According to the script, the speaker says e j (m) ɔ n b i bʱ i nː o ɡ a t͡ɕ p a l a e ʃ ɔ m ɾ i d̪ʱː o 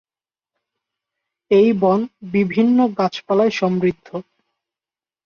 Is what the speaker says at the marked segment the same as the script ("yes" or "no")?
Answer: no